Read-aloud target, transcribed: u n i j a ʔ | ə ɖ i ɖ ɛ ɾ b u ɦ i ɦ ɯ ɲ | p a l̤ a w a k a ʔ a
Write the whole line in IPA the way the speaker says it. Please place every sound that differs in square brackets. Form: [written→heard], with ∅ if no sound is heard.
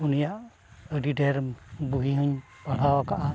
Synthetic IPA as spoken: u n i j a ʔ | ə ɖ i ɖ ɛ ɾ b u ɦ i ɦ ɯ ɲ | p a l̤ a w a k a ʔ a